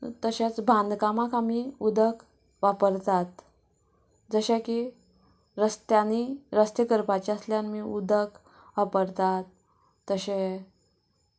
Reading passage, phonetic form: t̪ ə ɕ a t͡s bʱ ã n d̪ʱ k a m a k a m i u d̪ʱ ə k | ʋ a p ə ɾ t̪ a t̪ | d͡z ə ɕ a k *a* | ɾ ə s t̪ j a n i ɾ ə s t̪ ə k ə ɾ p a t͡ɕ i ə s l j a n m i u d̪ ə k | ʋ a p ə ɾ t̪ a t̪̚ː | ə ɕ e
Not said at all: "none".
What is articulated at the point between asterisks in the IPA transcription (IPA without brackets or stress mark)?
i